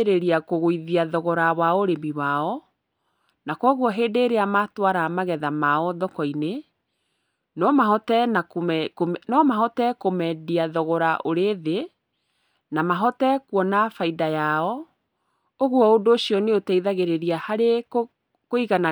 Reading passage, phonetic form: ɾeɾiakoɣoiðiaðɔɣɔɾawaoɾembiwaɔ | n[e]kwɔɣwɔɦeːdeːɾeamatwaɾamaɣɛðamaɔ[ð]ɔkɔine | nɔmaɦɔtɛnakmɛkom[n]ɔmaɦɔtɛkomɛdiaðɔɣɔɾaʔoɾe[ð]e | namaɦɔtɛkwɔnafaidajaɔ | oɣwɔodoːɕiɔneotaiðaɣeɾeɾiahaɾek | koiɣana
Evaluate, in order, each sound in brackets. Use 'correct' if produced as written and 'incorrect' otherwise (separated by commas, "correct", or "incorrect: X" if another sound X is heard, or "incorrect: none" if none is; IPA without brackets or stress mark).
incorrect: a, correct, correct, correct